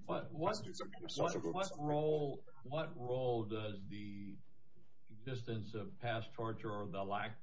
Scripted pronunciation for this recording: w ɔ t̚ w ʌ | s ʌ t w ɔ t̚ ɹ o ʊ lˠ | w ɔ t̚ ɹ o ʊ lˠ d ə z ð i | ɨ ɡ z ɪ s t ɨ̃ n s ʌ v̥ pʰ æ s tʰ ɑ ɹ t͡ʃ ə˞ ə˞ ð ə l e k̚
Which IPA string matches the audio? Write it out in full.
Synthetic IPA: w ʌ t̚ w ʌ | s ʌ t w ʌ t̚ ɹ o ʊ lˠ | w ʌ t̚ ɹ o ʊ lˠ d ʌ z ð i | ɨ ɡ z ɪ s t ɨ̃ n s ʌ v̥ pʰ æ s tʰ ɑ ɹ t͡ʃ ə˞ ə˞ ð ə l æ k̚